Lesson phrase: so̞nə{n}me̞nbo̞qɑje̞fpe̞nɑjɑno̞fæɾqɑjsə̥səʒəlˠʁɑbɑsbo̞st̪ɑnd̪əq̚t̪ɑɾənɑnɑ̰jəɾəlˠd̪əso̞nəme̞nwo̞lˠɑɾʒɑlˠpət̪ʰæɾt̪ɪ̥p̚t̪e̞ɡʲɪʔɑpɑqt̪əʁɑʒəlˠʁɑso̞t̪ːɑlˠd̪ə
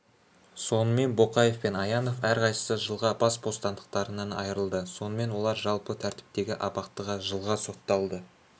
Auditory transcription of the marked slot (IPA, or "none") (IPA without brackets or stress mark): none